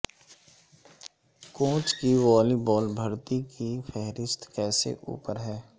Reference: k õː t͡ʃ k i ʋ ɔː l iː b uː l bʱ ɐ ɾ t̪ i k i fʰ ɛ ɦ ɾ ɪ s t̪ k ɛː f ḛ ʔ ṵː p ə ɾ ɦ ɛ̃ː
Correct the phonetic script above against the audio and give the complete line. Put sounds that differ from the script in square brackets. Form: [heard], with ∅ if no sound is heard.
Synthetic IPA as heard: k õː t͡ʃ k i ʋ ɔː l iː b [ɔː] l bʱ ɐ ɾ t̪ i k i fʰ ɛ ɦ ɾ ɪ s t̪ k ɛː [s] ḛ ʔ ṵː p ə ɾ ɦ [ɛː]